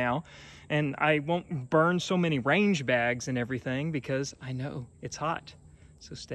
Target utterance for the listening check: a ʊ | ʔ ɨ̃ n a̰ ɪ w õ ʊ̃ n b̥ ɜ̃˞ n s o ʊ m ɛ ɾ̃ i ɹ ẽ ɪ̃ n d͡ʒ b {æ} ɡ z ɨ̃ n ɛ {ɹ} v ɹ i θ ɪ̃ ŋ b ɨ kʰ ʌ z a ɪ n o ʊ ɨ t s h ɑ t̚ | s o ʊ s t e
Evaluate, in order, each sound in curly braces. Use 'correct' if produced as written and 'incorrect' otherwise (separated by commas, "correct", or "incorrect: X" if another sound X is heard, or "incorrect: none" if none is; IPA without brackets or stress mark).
correct, incorrect: none